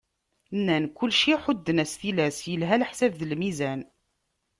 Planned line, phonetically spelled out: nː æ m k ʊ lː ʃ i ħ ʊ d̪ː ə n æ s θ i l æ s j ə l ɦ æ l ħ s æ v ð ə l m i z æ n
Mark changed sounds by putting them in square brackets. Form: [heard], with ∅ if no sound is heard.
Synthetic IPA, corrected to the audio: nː æ [n] k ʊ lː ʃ i ħ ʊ d̪ː ə n æ s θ i l æ s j ə l ɦ æ l ħ s æ v ð ə l m i z æ n